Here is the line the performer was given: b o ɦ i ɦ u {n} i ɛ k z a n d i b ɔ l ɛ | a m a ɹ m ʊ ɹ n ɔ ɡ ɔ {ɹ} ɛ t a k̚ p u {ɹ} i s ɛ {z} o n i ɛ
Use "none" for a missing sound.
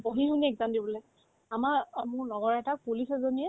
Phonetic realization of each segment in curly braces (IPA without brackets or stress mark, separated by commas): n, ɹ, l, z